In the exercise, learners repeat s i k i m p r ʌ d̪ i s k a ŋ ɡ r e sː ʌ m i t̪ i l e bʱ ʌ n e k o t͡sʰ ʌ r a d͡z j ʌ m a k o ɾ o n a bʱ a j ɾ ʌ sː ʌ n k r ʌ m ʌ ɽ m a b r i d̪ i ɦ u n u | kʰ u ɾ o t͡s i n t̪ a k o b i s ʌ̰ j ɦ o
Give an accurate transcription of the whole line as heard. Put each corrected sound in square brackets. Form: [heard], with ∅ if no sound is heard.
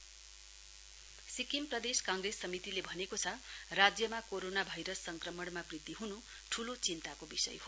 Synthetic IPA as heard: s i k i m p r ʌ d̪ [e] s k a ŋ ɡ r e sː ʌ m i t̪ i l e bʱ ʌ n e k o t͡sʰ ʌ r a d͡z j ʌ m a k o ɾ o n a bʱ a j ɾ ʌ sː ʌ [ŋ] k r ʌ m ʌ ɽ m a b r i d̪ i ɦ u n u | [ʈʰ] u [l] o t͡s i n t̪ a k o b i s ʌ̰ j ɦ o